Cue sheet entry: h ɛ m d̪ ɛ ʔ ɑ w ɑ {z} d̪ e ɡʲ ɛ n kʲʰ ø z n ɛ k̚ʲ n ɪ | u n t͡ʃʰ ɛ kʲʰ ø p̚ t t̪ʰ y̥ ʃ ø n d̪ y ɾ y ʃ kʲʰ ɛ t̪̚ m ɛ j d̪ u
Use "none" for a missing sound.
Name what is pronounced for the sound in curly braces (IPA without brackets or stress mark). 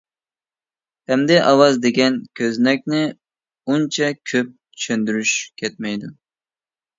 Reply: z